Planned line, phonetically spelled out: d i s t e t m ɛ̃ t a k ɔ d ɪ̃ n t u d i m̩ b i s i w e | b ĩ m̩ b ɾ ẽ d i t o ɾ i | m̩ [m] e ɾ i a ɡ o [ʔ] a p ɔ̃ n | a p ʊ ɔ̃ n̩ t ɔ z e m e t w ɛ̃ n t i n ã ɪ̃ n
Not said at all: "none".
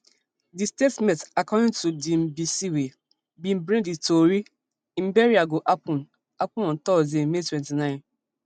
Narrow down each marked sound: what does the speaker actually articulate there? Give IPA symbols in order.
b, ʔ

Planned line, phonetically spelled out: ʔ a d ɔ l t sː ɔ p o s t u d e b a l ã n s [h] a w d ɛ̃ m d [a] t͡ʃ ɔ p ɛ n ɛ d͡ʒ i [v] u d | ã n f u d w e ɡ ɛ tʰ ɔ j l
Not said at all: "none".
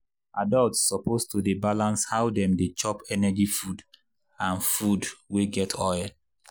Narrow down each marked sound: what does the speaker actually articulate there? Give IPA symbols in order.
h, e, f

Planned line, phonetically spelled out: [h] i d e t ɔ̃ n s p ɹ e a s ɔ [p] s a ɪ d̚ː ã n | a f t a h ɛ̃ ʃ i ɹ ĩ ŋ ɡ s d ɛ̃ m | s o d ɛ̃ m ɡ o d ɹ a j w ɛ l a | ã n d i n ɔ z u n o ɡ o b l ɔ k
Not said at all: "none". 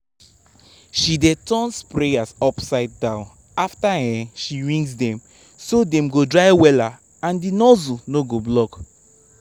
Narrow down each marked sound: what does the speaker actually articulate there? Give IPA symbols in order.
ʃ, p

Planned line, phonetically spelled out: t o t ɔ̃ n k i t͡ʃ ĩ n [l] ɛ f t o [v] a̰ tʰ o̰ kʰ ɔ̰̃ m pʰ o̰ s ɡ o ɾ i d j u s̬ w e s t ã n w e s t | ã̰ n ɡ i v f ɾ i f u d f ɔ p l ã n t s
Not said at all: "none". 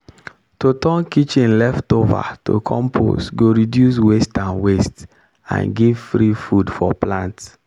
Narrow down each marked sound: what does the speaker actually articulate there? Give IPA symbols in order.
l, v

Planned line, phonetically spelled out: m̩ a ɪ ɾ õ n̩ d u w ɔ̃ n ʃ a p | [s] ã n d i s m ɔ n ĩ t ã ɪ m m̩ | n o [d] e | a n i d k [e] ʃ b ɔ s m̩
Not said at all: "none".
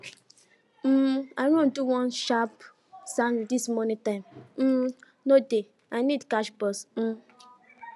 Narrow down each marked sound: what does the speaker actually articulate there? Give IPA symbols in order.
s, d, a

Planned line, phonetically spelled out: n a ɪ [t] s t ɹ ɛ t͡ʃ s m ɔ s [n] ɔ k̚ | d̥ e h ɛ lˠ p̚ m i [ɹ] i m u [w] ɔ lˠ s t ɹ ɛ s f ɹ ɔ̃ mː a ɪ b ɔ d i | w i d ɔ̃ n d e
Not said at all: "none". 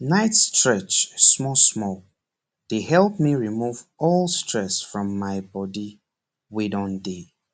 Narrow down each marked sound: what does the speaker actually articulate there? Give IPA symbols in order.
t, m, ɹ, v

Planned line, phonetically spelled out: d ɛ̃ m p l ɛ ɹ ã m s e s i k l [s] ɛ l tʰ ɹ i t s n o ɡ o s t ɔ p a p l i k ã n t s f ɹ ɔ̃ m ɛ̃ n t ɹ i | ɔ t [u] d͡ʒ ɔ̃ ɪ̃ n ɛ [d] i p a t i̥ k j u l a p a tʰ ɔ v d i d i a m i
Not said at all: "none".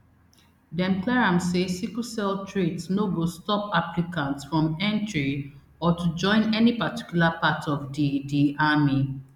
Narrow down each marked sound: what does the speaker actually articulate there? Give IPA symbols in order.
s, u, n

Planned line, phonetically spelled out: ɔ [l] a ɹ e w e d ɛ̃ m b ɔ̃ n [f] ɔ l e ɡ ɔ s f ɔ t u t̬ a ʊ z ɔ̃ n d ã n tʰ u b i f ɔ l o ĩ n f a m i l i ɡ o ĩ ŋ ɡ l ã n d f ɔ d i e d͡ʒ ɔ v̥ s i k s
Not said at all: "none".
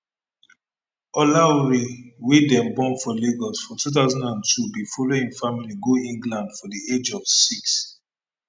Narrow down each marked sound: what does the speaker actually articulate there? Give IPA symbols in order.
l, f

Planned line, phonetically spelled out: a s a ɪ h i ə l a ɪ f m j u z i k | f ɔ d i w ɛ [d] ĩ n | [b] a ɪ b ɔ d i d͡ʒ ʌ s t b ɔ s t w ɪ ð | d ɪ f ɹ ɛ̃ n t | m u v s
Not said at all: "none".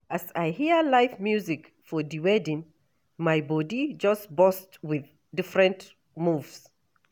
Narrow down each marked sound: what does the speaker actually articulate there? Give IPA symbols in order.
d, m

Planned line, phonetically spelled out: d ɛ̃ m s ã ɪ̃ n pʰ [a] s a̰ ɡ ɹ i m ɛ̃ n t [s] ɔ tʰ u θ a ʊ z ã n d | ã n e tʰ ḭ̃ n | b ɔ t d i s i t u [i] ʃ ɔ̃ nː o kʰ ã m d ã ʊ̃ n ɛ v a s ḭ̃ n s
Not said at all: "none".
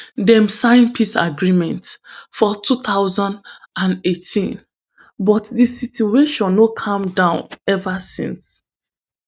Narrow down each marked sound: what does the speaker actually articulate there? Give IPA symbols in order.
i, f, e

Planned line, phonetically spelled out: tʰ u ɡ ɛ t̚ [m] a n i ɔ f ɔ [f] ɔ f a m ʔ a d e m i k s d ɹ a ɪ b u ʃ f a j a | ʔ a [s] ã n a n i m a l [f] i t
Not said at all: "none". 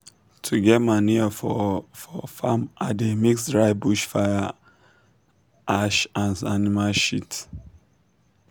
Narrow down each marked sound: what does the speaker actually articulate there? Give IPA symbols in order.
m, f, ʃ, ʃ

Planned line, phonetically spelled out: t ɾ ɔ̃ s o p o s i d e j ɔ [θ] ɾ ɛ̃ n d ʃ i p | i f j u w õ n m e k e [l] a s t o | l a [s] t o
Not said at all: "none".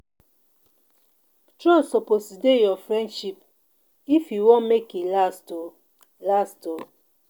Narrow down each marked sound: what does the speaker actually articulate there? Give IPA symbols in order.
f, l, s

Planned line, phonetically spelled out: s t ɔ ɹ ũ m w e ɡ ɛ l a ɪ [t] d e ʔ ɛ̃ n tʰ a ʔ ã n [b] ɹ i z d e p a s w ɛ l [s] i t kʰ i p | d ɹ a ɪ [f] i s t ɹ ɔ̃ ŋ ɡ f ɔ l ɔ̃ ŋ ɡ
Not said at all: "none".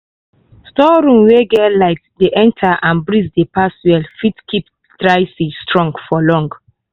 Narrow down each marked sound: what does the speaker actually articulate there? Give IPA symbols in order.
t, b, f, s

